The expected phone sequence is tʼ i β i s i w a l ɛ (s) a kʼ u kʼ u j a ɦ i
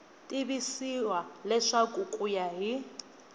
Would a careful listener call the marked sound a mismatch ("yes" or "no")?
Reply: yes